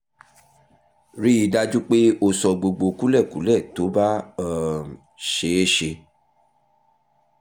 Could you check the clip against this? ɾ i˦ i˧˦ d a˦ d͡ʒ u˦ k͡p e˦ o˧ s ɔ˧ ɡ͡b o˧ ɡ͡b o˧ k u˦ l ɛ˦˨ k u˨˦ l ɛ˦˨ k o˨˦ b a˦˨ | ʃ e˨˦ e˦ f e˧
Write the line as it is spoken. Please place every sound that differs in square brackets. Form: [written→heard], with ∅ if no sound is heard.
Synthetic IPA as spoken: ɾ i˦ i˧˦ d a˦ d͡ʒ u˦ k͡p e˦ o˧ s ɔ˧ ɡ͡b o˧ ɡ͡b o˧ k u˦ l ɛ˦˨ k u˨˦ l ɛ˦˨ [k→t] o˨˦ b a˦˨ | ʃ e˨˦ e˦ [f→ʃ] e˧